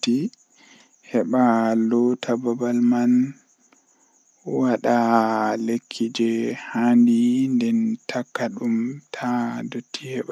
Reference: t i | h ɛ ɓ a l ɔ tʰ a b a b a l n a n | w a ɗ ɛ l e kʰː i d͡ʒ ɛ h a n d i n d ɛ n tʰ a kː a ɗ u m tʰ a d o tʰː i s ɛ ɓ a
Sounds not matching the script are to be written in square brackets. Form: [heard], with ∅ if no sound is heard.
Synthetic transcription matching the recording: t i | h ɛ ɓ a l ɔ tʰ a b a b a l [m] a n | w a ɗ [a] l e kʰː i d͡ʒ ɛ h a n d i n d ɛ n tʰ a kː a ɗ u m tʰ a d o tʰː i [h] ɛ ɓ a